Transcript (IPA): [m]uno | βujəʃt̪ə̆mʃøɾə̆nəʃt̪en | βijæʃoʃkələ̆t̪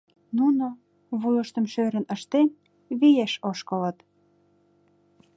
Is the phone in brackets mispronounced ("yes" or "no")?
yes